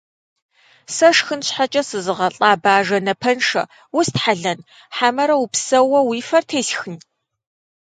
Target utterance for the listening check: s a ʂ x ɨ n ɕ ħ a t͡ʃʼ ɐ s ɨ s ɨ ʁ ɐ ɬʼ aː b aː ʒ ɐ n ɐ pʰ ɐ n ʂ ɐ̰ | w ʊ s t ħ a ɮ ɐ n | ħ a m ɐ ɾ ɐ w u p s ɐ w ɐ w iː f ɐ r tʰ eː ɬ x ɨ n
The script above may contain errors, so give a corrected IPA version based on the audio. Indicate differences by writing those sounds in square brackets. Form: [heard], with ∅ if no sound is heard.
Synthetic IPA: s [ɐ] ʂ x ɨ n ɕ ħ a t͡ʃʼ ɐ s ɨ [z] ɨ ʁ ɐ ɬʼ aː b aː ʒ ɐ n ɐ pʰ ɐ n ʂ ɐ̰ | w ʊ s t ħ a ɮ ɐ n | ħ a m ɐ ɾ ɐ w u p s ɐ w ɐ w iː f ɐ r tʰ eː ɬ x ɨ n